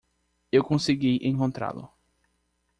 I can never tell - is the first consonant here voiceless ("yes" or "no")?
no